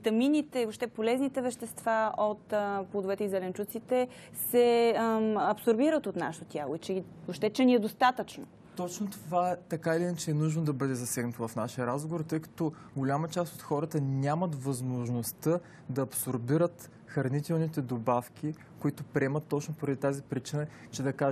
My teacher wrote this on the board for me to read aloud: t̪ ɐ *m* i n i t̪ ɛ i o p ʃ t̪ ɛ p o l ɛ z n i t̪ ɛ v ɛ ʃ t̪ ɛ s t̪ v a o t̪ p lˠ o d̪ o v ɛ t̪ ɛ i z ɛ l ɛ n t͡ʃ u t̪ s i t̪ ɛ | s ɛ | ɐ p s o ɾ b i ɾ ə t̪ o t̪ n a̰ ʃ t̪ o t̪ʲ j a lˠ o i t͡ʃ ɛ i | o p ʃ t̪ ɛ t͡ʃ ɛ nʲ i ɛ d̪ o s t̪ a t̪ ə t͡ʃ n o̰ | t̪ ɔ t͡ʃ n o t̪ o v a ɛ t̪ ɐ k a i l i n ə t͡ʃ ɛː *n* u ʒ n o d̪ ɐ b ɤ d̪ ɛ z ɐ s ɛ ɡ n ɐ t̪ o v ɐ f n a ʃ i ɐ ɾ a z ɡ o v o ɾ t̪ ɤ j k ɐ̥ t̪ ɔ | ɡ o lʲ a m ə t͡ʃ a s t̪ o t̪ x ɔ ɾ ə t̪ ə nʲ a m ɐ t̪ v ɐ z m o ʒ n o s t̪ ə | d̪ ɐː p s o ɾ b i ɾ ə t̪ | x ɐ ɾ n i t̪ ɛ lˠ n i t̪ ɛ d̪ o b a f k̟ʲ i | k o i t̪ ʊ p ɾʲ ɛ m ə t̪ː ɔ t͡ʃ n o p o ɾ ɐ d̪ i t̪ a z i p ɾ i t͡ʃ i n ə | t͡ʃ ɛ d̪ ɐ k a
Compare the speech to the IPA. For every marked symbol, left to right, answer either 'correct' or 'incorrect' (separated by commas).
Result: correct, correct